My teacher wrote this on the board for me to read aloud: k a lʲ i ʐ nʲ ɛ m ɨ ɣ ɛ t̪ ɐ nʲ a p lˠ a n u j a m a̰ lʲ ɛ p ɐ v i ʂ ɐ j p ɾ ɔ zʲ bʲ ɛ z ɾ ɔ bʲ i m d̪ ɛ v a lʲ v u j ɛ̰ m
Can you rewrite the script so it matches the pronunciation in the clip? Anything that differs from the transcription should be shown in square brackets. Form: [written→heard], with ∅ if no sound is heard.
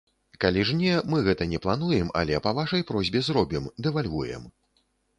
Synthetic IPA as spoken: k a lʲ i ʐ nʲ ɛ m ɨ ɣ ɛ t̪ ɐ nʲ [a→ɛ] p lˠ a n u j [a→ɛ] m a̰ lʲ ɛ p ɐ v [i→a] ʂ ɐ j p ɾ ɔ zʲ bʲ ɛ z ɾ ɔ bʲ i m d̪ ɛ v a lʲ v u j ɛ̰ m

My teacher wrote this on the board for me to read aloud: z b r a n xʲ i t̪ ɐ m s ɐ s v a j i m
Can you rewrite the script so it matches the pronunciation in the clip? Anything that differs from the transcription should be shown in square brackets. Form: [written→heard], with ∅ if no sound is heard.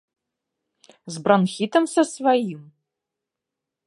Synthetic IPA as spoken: z b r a n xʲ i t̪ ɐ m s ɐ s v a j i m

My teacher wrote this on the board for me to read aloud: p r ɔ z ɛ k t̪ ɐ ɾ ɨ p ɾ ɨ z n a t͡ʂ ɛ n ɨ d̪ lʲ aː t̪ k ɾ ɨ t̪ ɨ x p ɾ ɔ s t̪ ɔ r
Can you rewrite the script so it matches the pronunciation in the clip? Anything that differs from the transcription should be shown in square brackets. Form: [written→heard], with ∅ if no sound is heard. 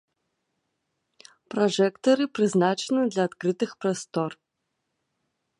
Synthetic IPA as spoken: p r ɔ [z→ʐ] ɛ k t̪ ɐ ɾ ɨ p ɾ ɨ z n a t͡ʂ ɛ n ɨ d̪ lʲ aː t̪ k ɾ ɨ t̪ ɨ x p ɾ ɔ s t̪ ɔ r

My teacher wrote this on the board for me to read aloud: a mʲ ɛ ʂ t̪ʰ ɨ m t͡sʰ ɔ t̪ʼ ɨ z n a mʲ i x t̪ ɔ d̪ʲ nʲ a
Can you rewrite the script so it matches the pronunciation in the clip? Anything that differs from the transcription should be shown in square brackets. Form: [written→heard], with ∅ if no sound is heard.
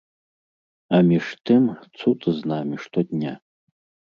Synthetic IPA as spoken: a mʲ [ɛ→i] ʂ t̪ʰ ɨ m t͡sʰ [ɔ→u] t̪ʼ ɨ z n a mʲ i [x→ʂ] t̪ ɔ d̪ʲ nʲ a

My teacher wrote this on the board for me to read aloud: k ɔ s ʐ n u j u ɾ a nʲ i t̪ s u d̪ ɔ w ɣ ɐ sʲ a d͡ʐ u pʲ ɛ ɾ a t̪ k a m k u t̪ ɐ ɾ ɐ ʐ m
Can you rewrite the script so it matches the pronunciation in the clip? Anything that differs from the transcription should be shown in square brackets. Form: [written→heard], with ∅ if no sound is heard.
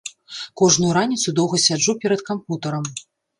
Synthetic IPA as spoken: k ɔ [s→∅] ʐ n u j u ɾ a nʲ i t̪ s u d̪ ɔ w ɣ ɐ sʲ a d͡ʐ u pʲ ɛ ɾ [a→ɐ] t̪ k a m [k→p] u t̪ ɐ ɾ ɐ [ʐ→∅] m

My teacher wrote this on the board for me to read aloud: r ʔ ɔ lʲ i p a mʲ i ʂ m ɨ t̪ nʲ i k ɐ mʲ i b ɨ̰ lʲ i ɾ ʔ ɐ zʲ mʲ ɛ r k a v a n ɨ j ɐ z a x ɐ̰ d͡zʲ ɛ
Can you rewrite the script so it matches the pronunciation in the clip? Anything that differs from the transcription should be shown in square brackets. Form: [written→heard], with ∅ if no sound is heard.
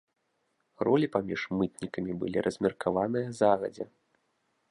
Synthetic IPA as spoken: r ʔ ɔ lʲ i p a mʲ i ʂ m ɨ t̪ nʲ i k ɐ mʲ i b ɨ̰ lʲ i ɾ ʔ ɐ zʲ mʲ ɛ r k a v a n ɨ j ɐ z a [x→ɣ] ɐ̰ d͡zʲ ɛ

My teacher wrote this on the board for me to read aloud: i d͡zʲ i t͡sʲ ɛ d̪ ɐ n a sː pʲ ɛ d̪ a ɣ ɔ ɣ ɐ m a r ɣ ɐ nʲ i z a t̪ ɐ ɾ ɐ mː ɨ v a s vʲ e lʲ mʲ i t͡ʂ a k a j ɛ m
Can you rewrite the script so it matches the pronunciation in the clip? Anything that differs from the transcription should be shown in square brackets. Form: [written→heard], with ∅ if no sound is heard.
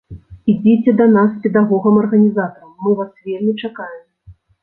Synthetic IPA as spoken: i d͡zʲ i t͡sʲ ɛ d̪ ɐ n a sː pʲ ɛ d̪ a ɣ ɔ ɣ ɐ m [a→ɐ] r ɣ ɐ nʲ i z a t̪ ɐ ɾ ɐ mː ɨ v a s vʲ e lʲ mʲ i t͡ʂ a k a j ɛ m

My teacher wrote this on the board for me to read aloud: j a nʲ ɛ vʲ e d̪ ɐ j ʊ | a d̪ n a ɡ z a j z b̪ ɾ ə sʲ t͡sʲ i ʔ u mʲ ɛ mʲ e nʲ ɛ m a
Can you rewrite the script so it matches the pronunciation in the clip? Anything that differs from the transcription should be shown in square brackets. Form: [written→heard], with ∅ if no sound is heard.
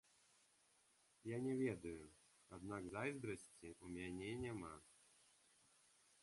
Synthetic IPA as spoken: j a nʲ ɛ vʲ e d̪ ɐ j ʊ | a d̪ n a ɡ z a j z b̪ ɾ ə sʲ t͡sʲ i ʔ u mʲ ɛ [mʲ→nʲ] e nʲ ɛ m a

